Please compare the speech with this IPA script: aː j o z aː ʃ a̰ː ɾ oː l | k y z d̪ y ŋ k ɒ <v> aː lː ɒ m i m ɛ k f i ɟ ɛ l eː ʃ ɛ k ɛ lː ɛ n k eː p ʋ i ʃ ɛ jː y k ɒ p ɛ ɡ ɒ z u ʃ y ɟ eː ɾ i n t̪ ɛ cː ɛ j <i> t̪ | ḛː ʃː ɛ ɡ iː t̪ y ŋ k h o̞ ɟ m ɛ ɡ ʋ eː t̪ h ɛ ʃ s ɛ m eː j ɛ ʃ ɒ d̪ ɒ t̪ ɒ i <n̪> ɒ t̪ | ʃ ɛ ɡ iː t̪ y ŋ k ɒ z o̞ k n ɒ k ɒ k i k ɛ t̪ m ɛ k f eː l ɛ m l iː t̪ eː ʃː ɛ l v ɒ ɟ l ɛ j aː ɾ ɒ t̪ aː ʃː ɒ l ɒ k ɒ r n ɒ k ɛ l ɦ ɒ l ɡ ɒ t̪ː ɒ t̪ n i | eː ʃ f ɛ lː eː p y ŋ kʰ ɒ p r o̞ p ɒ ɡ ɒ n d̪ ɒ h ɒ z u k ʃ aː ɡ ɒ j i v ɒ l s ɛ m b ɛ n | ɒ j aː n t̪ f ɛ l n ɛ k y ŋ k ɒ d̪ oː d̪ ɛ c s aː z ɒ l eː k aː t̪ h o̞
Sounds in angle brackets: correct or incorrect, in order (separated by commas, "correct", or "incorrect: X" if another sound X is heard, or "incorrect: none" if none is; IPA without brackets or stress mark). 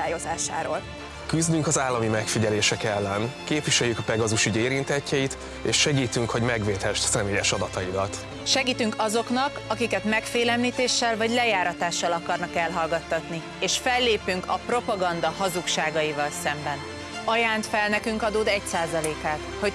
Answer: incorrect: z, correct, incorrect: d̪